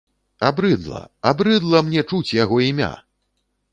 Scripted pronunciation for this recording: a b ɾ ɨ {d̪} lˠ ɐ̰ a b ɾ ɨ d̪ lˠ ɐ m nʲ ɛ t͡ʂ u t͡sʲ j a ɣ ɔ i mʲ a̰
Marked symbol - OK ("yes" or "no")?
yes